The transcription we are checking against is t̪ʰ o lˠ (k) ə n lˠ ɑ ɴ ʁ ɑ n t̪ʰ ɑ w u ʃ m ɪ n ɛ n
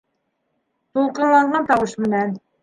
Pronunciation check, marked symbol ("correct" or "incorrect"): incorrect